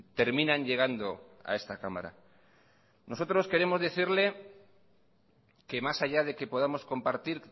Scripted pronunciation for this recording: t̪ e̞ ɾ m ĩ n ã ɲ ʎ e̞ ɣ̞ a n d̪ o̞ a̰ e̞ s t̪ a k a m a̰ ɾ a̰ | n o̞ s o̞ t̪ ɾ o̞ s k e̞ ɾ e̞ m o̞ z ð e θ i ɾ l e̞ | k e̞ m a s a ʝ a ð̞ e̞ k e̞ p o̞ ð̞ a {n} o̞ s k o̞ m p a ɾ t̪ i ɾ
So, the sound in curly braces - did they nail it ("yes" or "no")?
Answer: no